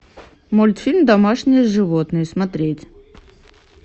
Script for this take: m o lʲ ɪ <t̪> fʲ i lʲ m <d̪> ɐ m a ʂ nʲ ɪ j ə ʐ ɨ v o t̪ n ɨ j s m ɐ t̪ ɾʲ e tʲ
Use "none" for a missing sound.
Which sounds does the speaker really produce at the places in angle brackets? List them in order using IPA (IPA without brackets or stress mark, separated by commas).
t̪, d̪